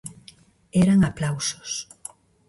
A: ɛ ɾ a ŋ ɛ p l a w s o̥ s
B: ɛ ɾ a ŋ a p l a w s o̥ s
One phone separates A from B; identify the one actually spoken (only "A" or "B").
B